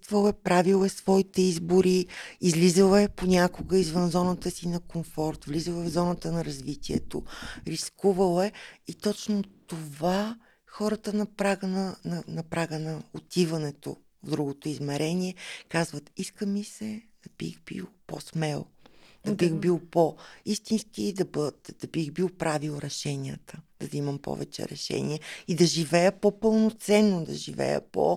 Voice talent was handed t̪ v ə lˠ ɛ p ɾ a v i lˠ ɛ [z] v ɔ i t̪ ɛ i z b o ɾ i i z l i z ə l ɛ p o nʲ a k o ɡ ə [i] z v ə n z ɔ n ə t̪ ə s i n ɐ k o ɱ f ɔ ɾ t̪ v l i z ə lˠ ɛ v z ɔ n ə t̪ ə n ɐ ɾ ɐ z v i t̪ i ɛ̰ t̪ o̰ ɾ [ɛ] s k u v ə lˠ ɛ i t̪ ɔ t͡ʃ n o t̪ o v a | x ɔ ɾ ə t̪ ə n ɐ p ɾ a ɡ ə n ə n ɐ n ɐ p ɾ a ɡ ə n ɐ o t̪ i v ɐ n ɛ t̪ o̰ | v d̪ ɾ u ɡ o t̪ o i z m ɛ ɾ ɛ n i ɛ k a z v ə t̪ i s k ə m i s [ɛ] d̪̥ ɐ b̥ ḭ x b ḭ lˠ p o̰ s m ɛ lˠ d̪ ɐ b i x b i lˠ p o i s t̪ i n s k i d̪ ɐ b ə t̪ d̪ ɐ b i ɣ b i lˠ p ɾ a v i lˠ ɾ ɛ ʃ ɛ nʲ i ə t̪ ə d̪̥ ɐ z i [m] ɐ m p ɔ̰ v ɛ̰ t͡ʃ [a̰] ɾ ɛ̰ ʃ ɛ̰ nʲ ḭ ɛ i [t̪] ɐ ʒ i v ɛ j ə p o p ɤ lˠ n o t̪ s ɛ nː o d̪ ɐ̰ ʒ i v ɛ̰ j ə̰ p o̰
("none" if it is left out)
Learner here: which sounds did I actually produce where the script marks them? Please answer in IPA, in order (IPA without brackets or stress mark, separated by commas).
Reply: s, i, i, ɛ, m, ɛ̰, d̪